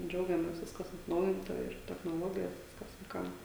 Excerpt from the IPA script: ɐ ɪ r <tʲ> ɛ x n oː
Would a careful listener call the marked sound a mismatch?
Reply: no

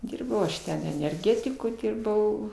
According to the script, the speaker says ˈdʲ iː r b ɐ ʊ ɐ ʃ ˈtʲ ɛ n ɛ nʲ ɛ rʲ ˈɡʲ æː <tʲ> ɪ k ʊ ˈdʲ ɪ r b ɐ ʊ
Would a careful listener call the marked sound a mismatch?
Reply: no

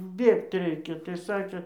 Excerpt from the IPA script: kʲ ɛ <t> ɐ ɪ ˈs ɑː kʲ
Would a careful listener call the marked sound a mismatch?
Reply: no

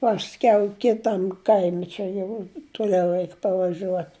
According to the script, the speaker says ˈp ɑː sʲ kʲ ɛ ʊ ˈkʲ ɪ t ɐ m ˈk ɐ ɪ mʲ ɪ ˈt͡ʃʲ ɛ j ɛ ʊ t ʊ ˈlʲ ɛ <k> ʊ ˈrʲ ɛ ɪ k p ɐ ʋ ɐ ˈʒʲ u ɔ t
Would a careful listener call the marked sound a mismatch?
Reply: yes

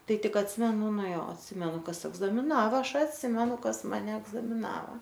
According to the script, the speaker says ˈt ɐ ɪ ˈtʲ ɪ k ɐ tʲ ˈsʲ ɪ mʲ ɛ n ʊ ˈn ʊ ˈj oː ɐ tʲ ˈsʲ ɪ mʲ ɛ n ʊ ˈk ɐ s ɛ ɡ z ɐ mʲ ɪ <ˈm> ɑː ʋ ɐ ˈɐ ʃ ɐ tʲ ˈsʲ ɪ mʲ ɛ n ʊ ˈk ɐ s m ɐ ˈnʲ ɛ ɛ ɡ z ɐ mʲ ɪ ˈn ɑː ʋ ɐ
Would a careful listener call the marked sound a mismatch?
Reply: yes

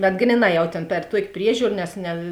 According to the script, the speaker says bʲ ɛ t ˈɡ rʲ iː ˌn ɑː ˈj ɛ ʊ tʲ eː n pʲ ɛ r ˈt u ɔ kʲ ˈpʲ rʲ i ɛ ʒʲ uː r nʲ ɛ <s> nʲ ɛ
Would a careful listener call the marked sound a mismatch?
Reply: no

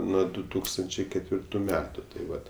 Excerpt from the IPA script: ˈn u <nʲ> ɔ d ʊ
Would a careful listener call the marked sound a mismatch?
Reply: yes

